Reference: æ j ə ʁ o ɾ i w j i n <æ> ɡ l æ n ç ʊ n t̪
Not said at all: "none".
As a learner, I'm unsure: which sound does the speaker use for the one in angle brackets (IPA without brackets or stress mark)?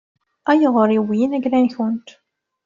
æ